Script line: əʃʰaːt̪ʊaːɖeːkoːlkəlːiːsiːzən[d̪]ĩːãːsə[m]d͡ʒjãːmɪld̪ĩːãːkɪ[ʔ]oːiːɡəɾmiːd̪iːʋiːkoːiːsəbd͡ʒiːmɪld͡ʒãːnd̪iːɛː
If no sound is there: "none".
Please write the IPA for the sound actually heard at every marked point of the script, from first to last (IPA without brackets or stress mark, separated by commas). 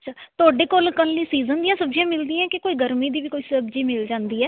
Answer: d̪, b, k